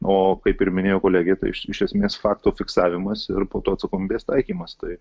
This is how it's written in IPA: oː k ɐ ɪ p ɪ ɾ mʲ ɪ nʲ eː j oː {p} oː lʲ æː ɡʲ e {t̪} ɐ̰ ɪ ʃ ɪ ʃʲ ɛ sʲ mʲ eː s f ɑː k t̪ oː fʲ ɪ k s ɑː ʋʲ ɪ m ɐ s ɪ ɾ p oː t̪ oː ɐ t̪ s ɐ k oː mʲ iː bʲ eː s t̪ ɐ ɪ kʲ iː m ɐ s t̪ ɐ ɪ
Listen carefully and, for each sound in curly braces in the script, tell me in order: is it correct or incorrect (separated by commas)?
incorrect, correct